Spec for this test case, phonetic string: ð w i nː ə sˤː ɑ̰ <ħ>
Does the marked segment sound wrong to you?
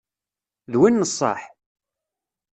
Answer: no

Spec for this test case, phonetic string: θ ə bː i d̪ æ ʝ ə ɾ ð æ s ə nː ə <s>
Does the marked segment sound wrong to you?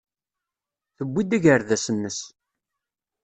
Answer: no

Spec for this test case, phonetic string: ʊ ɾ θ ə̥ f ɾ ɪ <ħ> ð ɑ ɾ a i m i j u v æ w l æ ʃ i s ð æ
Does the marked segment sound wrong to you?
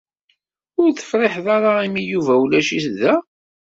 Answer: no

